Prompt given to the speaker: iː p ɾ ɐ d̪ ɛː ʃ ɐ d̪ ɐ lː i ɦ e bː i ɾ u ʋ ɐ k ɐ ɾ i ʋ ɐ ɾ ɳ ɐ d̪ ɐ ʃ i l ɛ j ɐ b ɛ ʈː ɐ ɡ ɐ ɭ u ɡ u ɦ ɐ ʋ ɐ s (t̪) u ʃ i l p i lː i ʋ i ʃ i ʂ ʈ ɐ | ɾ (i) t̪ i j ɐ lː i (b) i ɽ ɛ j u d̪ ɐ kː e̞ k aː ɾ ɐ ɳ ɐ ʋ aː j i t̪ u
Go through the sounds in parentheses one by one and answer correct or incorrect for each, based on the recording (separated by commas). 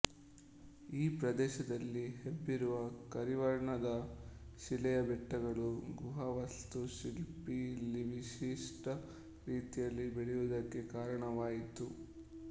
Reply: correct, incorrect, correct